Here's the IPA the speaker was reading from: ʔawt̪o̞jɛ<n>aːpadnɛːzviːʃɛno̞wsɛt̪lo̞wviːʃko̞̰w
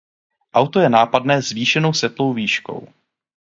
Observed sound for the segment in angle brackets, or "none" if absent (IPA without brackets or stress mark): n